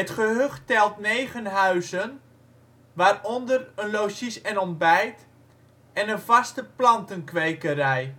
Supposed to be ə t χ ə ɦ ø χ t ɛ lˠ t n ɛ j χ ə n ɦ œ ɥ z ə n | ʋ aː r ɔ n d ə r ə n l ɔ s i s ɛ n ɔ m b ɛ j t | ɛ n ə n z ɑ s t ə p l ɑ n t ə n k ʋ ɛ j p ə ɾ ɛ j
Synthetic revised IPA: ə t χ ə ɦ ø χ t ɛ lˠ t n e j χ ə n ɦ œ ɥ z ə n | ʋ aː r ɔ n d ə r ə n l o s i s ɛ n ɔ m b ɛ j t | ɛ n ə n v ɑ s t ə p l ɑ n t ə n k ʋ e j k ə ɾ ɛ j